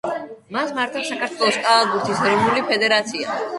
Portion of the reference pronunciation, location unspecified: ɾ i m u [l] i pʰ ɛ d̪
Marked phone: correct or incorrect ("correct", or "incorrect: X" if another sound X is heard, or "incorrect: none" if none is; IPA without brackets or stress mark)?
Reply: correct